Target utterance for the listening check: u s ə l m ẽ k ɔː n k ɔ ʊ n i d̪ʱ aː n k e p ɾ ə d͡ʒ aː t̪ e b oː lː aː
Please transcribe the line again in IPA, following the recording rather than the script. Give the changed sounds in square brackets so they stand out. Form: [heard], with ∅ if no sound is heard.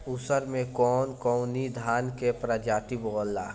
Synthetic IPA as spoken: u s ə [ɾ] m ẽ k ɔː n k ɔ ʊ n i d̪ʱ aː n k e p ɾ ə d͡ʒ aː t̪ [i] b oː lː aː

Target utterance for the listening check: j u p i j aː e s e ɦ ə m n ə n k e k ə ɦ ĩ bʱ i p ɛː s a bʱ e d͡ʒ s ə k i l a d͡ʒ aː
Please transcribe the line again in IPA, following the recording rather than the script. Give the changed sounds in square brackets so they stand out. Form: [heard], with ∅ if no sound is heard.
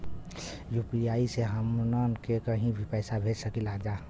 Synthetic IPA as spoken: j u p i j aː [i] s e ɦ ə m n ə n k e k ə ɦ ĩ bʱ i p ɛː s a bʱ e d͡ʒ s ə k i l a d͡ʒ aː

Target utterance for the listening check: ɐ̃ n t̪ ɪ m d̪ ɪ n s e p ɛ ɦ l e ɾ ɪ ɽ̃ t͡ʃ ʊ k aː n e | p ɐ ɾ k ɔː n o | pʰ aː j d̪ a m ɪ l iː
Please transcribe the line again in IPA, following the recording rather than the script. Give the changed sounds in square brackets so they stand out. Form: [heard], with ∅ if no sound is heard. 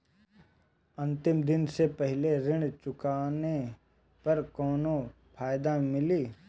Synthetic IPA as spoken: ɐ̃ n t̪ ɪ m d̪ ɪ n s e p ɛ ɦ l e ɾ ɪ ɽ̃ t͡ʃ ʊ k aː n e | p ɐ ɾ k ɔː n o | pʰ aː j d̪ a m ɪ l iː

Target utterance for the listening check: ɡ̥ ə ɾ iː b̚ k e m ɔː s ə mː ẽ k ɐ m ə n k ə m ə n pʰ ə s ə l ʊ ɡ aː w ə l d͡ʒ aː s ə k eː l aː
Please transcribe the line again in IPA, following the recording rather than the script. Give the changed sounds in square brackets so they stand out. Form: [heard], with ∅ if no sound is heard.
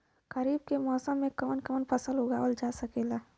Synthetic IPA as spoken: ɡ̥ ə ɾ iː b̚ k e m ɔː s ə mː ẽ k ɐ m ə n k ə m ə n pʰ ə s ə l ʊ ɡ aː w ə l d͡ʒ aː s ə k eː l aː

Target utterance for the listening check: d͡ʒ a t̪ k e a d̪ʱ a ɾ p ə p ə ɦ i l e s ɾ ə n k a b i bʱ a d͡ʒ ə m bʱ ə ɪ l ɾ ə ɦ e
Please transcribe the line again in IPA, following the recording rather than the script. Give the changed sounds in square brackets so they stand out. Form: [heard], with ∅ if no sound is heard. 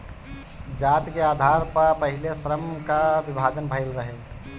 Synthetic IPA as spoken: d͡ʒ a t̪ k e a d̪ʱ a ɾ p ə p ə ɦ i l e s ɾ ə [m] k a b i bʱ a d͡ʒ ə [n] bʱ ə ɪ l ɾ ə ɦ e

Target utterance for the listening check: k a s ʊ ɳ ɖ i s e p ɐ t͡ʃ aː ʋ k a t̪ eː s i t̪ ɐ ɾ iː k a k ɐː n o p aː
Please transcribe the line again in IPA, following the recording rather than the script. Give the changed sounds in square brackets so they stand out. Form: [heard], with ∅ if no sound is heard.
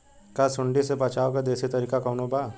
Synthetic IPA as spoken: k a s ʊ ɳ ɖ i s e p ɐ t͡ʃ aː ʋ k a [d̪] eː s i t̪ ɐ ɾ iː k a k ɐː n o [b] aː

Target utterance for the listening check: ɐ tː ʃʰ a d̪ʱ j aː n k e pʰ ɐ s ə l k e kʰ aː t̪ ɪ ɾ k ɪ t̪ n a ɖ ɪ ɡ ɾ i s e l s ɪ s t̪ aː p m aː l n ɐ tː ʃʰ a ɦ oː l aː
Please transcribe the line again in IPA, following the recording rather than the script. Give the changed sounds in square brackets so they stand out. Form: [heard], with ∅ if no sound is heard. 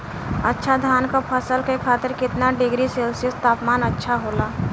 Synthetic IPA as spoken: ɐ tː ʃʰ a d̪ʱ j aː n k [a] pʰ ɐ s ə l k e kʰ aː t̪ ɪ ɾ k ɪ t̪ n a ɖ ɪ ɡ ɾ i s e l s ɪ s t̪ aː p m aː [∅] n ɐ tː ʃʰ a ɦ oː l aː

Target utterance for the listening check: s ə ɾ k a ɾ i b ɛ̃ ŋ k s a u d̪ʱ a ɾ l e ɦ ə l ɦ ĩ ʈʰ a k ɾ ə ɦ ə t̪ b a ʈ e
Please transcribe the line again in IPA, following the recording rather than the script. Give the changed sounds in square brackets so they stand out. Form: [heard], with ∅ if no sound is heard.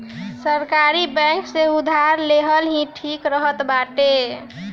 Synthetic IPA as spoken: s ə ɾ k a ɾ i b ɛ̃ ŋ k s [e] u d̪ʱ a ɾ l e ɦ ə l ɦ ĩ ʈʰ [i] k ɾ ə ɦ ə t̪ b a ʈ e

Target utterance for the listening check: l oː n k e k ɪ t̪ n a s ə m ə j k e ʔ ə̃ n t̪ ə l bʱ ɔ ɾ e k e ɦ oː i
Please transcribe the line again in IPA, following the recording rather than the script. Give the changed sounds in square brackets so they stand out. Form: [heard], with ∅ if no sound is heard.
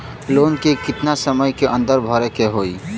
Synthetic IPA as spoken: l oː n k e k ɪ t̪ n a s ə m ə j k e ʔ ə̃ n [d̪] ə [ɾ] bʱ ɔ ɾ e k e ɦ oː i

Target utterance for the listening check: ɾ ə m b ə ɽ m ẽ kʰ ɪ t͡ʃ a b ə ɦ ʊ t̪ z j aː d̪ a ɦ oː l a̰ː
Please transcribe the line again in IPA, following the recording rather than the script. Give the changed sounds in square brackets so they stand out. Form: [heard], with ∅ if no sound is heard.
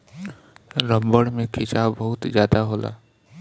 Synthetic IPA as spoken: ɾ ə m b ə ɽ m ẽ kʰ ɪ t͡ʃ a b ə ɦ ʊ t̪ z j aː d̪ a ɦ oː l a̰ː

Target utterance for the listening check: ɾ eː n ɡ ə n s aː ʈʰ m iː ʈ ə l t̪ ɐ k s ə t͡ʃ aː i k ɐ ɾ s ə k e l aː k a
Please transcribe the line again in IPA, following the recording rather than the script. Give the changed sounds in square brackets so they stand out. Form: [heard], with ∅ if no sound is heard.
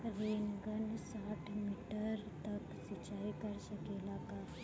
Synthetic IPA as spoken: ɾ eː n ɡ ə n s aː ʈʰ m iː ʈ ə [ɾ] t̪ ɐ k s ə t͡ʃ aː i k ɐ ɾ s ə k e l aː k a

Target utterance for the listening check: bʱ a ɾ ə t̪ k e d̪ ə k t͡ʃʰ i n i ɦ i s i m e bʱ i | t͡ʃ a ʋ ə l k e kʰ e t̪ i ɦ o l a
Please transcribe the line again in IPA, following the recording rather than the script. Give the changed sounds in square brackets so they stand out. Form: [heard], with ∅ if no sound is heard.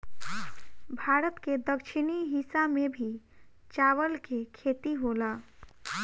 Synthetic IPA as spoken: bʱ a ɾ ə t̪ k e d̪ ə k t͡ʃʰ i n i ɦ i s [a] m e bʱ i | t͡ʃ a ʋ ə l k e kʰ e t̪ i ɦ o l a

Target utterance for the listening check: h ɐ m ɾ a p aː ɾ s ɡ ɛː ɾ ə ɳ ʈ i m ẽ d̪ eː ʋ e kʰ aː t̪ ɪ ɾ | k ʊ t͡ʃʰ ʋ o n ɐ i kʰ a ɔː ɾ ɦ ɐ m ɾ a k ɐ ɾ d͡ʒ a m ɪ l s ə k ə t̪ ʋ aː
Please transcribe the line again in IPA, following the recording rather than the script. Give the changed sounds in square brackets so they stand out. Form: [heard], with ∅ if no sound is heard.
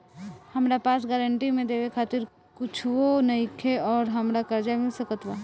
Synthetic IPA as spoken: h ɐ m ɾ a p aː [∅] s ɡ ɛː ɾ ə ɳ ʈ i m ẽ d̪ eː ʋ e kʰ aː t̪ ɪ ɾ | k ʊ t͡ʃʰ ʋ o n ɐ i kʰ [e] ɔː ɾ ɦ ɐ m ɾ a k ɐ ɾ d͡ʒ a m ɪ l s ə k ə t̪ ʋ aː

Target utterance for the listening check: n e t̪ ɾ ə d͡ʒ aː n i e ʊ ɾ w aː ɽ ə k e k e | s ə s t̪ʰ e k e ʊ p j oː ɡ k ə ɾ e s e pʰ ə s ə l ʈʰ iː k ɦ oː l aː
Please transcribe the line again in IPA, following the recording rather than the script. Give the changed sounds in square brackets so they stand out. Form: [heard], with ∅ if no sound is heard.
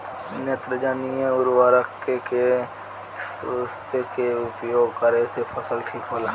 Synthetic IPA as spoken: n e t̪ ɾ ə d͡ʒ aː n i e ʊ ɾ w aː [ɾ] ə k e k e | s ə s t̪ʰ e k e ʊ p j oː ɡ k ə ɾ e s e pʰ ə s ə l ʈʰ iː k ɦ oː l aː

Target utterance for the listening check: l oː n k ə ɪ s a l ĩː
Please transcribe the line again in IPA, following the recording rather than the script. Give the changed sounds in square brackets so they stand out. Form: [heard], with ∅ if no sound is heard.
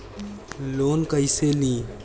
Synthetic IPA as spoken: l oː n k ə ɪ s [e] l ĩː

